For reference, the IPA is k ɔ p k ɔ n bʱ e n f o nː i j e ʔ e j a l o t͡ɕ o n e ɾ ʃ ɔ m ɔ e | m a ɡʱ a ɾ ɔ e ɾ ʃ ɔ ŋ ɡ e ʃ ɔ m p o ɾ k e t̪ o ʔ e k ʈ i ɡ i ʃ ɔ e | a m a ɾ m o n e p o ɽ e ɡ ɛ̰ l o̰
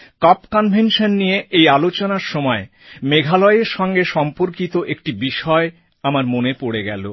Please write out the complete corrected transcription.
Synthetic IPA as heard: k ɔ p k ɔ n bʱ e n ʃ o nː i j e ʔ e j a l o t͡ɕ o n a ɾ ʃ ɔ m ɔ e | m e ɡʱ a l ɔ e ɾ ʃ ɔ ŋ ɡ e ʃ ɔ m p o ɾ k i t̪ o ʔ e k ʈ i b i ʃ ɔ e | a m a ɾ m o n e p o ɽ e ɡ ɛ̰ l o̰